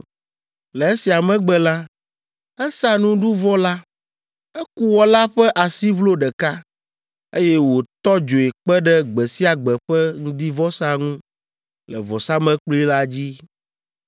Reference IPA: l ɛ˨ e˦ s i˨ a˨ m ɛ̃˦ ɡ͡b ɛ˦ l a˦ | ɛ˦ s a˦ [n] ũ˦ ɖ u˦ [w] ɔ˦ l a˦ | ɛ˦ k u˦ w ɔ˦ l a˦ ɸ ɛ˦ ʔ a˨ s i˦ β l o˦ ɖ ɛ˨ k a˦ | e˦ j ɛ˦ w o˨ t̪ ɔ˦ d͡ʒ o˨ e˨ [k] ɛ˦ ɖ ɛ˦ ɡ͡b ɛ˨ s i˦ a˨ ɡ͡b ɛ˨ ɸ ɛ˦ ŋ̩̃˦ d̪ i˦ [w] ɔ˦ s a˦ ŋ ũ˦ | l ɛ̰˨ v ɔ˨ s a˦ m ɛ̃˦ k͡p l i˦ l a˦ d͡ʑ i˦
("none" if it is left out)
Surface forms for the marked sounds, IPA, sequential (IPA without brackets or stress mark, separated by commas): n, v, k͡p, v